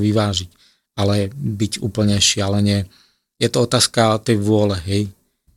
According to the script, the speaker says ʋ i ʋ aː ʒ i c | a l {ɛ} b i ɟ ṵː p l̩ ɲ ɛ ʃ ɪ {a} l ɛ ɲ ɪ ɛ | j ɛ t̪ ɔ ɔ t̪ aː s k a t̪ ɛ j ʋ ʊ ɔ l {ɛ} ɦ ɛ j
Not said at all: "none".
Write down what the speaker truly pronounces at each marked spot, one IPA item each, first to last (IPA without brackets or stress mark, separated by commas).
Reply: ɛ, a, ɛ